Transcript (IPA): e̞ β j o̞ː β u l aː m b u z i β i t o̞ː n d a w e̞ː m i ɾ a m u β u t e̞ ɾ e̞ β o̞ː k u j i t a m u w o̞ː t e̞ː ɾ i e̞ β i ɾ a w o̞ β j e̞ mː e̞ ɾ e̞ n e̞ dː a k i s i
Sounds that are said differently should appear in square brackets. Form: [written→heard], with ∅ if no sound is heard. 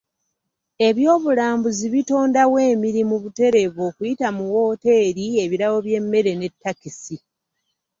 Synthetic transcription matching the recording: e̞ β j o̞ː β u l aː m b u z i β i t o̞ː n d a w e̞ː m i ɾ [a→i] m u β u t e̞ ɾ e̞ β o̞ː k u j i t a m u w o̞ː t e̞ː ɾ i e̞ β i ɾ a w o̞ β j e̞ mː e̞ ɾ e̞ n e̞ [dː→tː] a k i s i